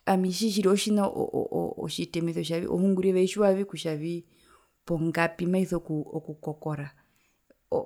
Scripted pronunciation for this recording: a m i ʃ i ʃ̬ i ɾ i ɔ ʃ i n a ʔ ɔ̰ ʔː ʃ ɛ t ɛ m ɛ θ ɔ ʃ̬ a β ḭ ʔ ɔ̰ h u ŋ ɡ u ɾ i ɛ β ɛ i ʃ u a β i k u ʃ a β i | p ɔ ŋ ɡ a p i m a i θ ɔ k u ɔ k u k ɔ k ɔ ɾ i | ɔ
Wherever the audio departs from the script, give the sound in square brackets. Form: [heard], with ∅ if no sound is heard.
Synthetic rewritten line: a m i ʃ i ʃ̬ i ɾ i ɔ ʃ i n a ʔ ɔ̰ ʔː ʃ [i] t ɛ m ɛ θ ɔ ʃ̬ a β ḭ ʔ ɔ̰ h u ŋ ɡ u ɾ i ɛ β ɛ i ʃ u a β i k u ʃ a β i | p ɔ ŋ ɡ a p i m a i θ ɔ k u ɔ k u k ɔ k ɔ ɾ [a] | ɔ